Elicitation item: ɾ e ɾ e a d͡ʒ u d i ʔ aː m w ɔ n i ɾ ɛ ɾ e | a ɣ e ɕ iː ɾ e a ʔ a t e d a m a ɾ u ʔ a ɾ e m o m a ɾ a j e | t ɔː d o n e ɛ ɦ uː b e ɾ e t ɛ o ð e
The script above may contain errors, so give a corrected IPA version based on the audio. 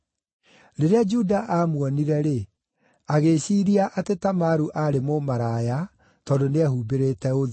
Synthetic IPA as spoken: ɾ e ɾ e a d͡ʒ u d a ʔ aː m w ɔ n i ɾ ɛ ɾ e | a ɣ e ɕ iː ɾ i a ʔ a t e t a m a ɾ u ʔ a ɾ e m o m a ɾ a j a | t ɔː d o n e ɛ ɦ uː b e ɾ e t ɛ o ð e